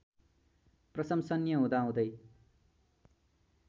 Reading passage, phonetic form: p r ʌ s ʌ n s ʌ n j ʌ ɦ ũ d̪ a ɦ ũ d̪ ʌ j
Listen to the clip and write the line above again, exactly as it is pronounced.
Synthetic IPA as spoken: p r ʌ s ʌ m s ʌ n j ʌ ɦ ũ d̪ a ɦ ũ d̪ ʌ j